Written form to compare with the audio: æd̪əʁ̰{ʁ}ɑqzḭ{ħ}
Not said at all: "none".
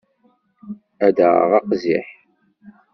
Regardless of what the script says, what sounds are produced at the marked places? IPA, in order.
ʁ, ħ

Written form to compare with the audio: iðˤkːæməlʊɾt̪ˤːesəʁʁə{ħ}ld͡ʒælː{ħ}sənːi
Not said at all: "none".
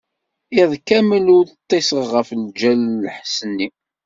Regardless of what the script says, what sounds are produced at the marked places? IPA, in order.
f, ħ

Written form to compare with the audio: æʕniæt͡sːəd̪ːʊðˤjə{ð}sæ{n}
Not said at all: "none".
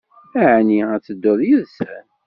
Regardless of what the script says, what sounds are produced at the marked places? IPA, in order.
ð, n

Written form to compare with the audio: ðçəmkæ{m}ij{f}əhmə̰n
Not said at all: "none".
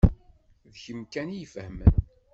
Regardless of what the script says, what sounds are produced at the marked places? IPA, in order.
n, f

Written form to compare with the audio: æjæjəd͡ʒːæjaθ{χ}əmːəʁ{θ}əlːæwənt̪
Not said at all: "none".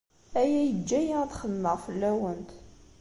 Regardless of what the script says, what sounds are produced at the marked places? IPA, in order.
χ, f

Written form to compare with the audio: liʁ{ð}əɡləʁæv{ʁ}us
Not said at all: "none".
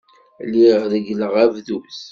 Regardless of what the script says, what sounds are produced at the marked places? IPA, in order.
ð, ð

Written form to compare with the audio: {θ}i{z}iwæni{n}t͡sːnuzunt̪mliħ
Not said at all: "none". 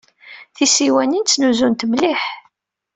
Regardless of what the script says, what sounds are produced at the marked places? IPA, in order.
θ, s, n

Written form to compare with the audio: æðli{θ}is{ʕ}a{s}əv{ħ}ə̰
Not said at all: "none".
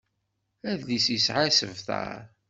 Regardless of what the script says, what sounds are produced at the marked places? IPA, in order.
s, ʕ, s, θ

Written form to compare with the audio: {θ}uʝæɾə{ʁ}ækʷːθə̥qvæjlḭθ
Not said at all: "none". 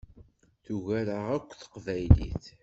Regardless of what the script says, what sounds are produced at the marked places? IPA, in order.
θ, ʁ

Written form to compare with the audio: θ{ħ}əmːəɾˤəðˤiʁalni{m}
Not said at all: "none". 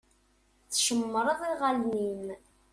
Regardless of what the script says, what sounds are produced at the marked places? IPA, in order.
ʃ, m

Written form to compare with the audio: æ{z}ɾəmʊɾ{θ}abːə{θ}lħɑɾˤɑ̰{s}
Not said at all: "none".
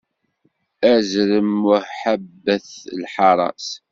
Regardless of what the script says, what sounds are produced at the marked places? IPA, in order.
z, ħ, θ, s

